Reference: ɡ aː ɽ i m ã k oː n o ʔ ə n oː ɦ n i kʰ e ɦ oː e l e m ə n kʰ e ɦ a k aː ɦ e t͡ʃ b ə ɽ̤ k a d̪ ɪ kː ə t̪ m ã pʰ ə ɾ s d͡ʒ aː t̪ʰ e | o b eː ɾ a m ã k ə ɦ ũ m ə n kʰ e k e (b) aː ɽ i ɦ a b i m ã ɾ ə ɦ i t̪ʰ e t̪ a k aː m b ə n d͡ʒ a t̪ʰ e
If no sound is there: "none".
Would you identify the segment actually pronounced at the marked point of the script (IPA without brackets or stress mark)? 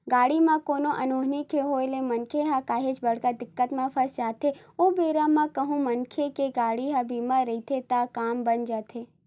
ɡ